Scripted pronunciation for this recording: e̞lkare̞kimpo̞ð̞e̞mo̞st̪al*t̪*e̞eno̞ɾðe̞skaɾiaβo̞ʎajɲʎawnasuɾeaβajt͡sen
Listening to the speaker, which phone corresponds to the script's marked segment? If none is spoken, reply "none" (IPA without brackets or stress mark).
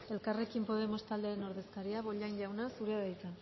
d̪